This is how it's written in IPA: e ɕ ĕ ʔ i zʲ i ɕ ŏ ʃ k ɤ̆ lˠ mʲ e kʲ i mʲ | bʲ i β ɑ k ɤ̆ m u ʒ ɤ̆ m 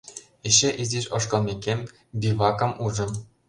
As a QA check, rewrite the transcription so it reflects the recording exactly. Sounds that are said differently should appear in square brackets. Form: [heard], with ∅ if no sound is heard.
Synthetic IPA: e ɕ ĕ ʔ i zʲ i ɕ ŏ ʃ k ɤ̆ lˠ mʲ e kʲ [e] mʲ | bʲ i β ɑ k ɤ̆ m u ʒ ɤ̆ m